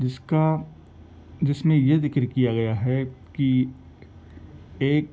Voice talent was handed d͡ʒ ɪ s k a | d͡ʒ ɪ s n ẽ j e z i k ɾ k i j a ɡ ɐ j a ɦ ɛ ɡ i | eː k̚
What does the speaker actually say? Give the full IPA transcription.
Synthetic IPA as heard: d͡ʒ ɪ s k a | d͡ʒ ɪ s m ẽ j e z ɪ k ɾ k i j a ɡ ɐ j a ɦ ɛ k i | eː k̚